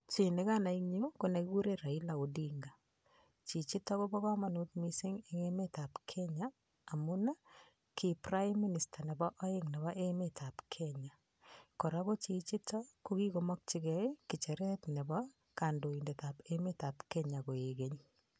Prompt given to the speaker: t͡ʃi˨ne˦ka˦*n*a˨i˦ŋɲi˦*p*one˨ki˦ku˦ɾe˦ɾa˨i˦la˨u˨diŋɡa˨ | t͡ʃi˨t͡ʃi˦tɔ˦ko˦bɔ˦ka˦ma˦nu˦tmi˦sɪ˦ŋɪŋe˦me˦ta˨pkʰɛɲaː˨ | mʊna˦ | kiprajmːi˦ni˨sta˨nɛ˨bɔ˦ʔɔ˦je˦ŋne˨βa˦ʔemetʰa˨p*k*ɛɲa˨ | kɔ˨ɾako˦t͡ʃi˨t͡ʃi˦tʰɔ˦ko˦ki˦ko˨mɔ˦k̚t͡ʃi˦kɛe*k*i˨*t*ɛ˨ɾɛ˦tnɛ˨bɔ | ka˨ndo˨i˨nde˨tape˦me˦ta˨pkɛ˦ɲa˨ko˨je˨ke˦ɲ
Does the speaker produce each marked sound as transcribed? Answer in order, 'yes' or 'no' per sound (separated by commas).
yes, no, no, yes, no